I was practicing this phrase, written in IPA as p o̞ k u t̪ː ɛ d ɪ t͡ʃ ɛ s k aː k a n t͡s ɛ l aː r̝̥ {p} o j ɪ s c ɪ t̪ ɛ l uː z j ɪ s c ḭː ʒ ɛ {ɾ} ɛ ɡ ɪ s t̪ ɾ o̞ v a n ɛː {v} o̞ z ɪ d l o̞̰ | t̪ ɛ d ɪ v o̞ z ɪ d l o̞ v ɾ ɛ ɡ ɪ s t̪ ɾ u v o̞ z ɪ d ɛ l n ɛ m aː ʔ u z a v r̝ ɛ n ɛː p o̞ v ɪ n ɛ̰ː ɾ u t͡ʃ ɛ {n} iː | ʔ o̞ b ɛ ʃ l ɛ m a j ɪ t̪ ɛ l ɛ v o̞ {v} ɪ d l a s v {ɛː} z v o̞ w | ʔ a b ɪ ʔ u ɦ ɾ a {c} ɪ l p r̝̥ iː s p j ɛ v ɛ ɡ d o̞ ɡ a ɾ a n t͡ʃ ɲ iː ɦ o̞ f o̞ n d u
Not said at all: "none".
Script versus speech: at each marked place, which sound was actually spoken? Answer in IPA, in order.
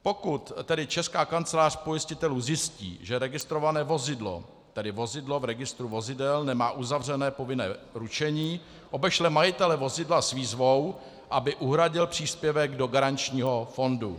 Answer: p, ɾ, v, ɲ, z, iː, ɟ

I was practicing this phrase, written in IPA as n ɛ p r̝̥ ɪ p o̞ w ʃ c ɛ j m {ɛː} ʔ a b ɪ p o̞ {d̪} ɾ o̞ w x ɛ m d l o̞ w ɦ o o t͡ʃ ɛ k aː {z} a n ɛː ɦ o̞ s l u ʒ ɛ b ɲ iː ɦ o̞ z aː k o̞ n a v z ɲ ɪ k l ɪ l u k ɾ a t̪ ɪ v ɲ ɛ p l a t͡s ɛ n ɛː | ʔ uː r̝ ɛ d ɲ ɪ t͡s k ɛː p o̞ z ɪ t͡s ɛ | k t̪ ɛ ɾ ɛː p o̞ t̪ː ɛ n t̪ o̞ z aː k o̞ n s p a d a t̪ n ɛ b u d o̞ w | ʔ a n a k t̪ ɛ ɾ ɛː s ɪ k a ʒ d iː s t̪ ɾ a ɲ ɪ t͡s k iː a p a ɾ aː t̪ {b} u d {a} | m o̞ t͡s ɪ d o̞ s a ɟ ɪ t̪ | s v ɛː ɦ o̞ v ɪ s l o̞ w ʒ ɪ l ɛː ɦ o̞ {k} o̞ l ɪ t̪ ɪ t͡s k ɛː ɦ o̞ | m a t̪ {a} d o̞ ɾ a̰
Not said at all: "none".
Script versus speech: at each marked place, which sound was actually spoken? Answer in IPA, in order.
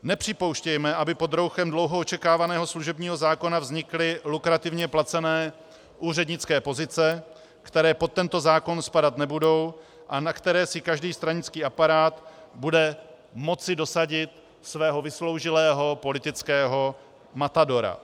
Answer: ɛ, d̪, v, b, ɛ, p, a

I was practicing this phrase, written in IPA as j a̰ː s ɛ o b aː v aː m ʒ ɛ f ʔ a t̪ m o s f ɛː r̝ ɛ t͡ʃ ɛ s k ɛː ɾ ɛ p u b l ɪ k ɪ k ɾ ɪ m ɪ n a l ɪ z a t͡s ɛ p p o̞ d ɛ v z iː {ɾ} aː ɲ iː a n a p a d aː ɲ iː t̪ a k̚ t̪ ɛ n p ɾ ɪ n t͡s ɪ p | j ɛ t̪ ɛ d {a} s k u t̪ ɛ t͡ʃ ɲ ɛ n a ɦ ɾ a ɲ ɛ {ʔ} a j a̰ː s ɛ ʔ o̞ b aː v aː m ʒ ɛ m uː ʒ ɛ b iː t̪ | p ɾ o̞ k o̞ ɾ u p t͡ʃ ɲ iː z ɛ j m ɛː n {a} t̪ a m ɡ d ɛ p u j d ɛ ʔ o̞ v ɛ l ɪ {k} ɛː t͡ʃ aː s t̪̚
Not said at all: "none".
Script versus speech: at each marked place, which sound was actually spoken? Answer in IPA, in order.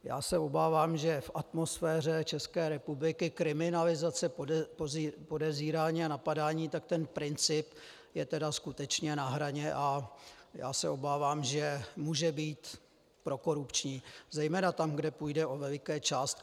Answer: ɾ, a, ʔ, a, k

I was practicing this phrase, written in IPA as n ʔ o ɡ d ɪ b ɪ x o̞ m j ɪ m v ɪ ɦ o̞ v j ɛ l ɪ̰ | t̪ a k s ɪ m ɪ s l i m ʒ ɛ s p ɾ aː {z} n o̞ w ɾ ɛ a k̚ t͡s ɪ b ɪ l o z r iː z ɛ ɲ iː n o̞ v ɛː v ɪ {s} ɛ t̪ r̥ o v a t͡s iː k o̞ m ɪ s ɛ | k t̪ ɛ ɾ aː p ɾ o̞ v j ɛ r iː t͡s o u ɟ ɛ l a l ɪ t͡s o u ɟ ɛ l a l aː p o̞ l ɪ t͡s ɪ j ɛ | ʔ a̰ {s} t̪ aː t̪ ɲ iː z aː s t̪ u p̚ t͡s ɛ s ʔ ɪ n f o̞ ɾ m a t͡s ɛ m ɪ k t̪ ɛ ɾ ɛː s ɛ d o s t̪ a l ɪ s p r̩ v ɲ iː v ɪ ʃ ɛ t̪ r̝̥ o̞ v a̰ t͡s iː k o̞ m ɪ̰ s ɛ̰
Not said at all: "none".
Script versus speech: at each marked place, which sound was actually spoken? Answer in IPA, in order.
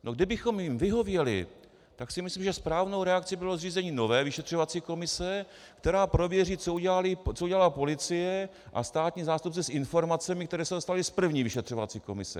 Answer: v, ʃ, s

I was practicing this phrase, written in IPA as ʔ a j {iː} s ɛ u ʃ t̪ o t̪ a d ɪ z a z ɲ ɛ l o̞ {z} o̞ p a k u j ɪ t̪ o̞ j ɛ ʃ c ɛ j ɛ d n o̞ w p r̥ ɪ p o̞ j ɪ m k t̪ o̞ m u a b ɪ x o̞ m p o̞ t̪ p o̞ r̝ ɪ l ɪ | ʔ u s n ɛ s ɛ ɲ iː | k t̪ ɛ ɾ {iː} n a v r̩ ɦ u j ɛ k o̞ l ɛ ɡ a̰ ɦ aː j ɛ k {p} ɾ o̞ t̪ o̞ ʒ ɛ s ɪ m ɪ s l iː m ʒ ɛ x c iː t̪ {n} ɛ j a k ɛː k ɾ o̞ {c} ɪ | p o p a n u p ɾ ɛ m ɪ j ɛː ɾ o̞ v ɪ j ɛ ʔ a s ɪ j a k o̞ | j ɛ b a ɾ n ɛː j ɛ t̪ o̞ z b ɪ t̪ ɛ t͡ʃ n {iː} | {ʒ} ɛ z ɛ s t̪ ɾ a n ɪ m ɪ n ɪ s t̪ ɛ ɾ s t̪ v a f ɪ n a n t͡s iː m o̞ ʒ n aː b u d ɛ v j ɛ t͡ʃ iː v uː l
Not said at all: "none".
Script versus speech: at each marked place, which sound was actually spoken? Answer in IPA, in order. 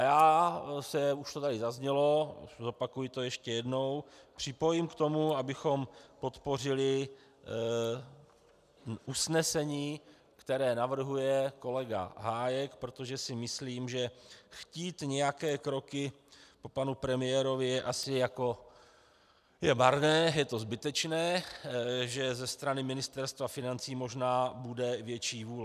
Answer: aː, z, ɛː, p, ɲ, k, ɛː, ʒ

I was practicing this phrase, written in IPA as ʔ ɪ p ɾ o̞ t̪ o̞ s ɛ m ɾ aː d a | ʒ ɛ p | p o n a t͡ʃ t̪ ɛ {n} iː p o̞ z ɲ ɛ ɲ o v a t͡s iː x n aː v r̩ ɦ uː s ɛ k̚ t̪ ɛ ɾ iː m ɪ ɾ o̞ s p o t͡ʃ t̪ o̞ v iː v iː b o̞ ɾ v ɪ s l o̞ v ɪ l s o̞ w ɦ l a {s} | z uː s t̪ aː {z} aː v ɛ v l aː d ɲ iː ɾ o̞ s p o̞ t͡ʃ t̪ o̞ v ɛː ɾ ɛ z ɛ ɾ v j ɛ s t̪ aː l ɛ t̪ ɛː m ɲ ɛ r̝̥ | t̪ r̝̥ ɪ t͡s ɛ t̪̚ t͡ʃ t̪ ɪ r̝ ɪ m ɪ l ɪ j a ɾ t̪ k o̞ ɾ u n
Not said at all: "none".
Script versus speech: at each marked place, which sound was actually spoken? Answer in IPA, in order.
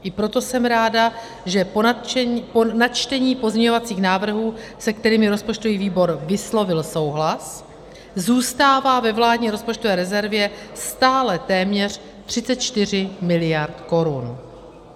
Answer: ɲ, s, v

